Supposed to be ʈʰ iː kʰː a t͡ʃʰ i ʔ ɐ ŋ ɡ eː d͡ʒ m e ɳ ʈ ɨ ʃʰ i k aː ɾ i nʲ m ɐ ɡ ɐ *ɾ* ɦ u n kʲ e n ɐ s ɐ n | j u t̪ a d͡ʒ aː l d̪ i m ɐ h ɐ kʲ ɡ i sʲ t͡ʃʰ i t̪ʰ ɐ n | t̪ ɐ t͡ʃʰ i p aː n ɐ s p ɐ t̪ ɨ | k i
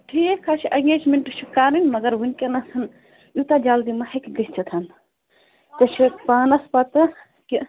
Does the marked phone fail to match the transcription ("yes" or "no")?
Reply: no